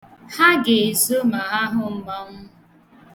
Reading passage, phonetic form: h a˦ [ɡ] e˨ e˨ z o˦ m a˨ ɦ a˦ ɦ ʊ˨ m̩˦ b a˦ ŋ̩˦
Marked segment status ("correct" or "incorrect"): correct